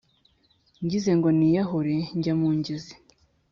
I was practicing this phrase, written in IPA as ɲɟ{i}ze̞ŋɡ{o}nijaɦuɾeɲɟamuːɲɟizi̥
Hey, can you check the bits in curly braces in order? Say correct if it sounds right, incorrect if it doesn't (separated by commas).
correct, correct